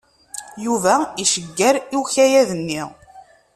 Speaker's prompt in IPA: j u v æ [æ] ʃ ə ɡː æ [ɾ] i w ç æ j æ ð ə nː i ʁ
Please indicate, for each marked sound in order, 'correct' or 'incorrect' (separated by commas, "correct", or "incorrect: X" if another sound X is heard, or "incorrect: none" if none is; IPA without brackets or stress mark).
incorrect: i, correct